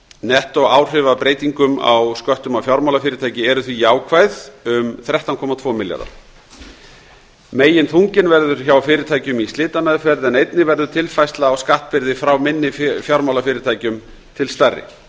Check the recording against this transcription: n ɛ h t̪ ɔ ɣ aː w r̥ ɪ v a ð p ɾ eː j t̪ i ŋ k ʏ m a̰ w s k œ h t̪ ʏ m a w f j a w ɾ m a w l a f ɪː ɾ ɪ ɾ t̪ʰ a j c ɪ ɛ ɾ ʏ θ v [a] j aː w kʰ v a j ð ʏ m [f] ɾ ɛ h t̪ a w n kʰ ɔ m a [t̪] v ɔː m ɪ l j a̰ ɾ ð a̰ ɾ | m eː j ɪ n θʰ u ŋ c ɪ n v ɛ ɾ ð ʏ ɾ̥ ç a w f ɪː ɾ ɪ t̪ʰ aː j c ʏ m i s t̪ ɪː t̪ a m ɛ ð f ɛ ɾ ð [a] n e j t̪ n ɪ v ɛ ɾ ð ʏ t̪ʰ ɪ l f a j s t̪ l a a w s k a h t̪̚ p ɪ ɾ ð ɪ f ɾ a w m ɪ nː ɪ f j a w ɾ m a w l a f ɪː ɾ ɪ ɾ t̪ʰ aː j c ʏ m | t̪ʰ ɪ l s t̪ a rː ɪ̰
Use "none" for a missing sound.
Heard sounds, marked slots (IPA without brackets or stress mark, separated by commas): i, θ, t̪ʰ, ɛ